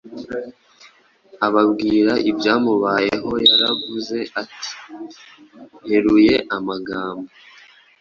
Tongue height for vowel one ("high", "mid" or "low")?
low